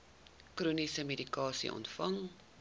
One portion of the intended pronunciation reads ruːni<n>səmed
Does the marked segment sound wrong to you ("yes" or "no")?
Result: yes